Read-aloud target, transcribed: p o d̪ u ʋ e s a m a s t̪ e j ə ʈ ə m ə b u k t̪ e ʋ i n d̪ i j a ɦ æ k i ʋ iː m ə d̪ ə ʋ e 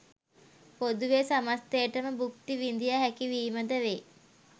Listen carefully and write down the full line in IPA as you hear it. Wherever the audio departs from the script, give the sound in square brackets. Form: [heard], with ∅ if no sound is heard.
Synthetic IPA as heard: p o d̪ u ʋ e s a m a s t̪ e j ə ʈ ə m ə b u k t̪ [i] ʋ i n d̪ i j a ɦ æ k i ʋ iː m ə d̪ ə ʋ e